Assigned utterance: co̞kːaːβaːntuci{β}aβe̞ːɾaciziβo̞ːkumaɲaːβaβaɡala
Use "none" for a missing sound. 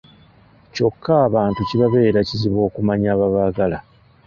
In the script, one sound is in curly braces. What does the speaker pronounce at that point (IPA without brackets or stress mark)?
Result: β